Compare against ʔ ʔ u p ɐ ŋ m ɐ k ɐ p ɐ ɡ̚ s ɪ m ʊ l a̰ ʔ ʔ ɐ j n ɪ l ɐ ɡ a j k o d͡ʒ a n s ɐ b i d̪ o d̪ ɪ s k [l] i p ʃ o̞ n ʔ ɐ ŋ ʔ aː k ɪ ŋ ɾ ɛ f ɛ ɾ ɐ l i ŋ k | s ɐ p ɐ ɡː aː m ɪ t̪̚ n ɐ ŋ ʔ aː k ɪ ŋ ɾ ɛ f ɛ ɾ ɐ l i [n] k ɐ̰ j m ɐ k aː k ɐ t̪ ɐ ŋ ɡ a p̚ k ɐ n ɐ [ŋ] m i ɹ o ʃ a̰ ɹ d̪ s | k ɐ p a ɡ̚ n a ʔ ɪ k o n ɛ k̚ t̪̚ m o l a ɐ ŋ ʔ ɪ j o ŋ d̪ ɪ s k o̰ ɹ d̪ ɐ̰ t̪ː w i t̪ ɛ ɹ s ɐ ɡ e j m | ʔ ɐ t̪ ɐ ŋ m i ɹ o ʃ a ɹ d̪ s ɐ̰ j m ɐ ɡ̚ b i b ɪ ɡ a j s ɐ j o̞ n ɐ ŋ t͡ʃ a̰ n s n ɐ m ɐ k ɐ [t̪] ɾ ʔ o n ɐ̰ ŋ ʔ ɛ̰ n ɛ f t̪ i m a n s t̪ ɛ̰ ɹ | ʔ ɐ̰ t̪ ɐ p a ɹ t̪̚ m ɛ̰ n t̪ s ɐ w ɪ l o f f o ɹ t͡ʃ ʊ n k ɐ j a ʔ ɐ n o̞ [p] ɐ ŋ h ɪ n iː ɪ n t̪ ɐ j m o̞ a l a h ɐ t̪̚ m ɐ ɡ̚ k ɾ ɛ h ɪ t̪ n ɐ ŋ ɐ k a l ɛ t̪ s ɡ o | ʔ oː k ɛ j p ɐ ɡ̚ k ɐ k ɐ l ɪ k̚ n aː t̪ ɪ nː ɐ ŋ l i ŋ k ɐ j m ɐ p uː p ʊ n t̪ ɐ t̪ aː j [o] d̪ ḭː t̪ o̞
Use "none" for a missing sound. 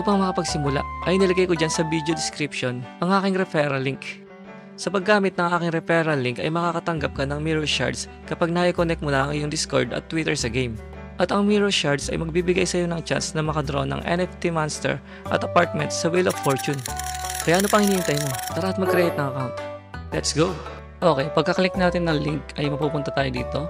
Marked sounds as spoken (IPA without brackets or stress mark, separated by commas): ɾ, ŋ, ŋ, d̪, p, o